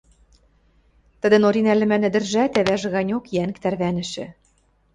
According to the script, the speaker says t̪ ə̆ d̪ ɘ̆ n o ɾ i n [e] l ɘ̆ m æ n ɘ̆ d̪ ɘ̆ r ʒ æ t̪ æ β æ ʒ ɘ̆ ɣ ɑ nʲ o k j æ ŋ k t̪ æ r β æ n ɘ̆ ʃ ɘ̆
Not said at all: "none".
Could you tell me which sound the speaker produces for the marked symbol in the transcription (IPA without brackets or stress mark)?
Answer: æ